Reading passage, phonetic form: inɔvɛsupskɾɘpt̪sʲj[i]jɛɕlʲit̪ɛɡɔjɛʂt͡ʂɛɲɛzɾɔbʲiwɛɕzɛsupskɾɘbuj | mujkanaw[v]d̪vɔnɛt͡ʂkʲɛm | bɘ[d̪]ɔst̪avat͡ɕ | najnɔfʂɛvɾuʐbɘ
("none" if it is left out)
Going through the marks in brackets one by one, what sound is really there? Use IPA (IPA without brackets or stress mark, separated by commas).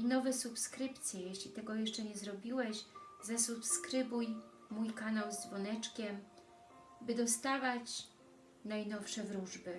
ɛ, z, d̪